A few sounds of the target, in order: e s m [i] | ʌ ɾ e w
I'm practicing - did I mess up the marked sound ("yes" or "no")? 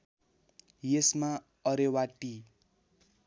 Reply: yes